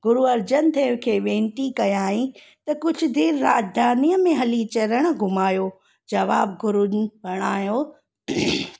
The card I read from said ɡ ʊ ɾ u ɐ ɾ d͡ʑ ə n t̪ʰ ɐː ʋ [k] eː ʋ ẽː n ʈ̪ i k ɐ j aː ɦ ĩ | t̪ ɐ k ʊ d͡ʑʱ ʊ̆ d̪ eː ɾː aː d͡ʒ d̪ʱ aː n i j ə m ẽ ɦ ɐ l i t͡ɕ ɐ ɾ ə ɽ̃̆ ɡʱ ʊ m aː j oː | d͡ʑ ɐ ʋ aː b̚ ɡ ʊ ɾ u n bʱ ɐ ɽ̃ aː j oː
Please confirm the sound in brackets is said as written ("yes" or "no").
no